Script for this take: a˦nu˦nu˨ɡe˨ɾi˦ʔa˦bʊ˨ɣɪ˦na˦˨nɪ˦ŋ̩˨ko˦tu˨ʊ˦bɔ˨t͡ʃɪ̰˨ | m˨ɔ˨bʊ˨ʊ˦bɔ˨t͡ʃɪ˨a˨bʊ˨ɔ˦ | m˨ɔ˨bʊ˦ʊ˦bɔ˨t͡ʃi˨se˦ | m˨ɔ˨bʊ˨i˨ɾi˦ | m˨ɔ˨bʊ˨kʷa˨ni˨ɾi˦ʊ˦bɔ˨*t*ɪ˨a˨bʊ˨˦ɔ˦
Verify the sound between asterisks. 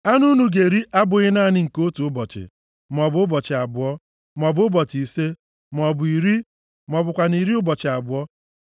incorrect: t͡ʃ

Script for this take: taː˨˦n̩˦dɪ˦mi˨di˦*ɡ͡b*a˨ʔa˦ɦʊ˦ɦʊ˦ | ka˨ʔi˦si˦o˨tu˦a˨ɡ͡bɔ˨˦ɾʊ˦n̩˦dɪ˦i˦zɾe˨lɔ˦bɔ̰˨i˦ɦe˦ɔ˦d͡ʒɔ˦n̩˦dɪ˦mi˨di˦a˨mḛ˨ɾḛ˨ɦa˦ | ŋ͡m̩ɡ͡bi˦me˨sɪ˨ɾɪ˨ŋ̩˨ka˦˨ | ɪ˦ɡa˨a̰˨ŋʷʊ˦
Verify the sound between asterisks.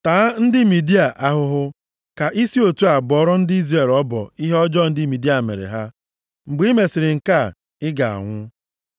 incorrect: none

